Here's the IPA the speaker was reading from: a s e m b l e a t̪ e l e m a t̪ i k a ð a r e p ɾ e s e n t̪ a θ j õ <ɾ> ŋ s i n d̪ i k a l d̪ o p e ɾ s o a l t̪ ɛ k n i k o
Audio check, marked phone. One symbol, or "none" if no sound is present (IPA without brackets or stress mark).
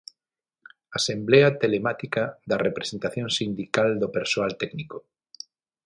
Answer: none